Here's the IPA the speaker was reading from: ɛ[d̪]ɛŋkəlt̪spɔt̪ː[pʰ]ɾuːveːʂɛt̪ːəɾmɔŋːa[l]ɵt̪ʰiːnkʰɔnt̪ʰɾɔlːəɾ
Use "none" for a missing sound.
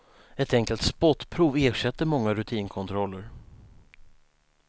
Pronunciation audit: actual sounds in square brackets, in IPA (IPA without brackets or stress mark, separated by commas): t̪, pʰ, ɾ